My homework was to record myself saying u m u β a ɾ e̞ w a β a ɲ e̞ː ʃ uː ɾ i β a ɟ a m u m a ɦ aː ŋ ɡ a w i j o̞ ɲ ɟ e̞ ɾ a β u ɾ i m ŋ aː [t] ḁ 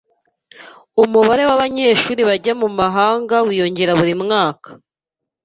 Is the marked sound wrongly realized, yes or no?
yes